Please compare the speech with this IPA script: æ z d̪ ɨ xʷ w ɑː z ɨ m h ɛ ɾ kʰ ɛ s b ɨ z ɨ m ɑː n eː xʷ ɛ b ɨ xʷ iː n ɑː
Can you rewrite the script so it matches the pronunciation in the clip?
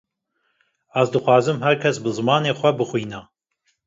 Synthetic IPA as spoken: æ z d̪ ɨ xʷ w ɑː z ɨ m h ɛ ɾ kʰ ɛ s b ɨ z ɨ m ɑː n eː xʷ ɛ b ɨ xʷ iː n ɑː